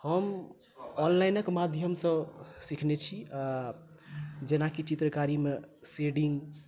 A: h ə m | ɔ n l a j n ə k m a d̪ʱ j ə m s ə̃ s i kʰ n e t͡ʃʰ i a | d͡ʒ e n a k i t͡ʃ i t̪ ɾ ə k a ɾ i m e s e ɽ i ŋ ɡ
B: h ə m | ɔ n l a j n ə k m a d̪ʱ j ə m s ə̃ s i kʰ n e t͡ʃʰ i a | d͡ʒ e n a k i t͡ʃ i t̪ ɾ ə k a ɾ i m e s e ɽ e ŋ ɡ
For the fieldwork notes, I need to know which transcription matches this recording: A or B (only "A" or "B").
A